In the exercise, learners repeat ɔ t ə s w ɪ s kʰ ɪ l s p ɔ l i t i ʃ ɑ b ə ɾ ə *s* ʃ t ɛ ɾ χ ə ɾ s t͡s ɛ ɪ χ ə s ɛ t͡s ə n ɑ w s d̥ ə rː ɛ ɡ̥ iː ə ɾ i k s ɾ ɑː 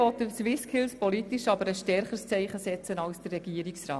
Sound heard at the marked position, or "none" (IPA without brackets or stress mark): s